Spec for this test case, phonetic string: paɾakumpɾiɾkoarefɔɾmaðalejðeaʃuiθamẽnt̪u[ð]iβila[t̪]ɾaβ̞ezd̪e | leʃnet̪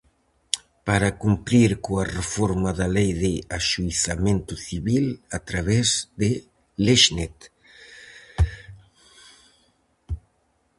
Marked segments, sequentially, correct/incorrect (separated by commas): incorrect, correct